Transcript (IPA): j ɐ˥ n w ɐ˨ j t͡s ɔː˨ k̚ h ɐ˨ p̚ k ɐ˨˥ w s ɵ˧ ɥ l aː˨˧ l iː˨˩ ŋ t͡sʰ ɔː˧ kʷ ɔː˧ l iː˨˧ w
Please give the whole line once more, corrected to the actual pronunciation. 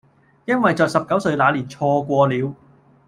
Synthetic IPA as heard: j ɐ˥ n w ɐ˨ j t͡s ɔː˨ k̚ s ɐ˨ p̚ k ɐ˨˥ w s ɵ˧ ɥ l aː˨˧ l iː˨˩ n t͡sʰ ɔː˧ kʷ ɔː˧ l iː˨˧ w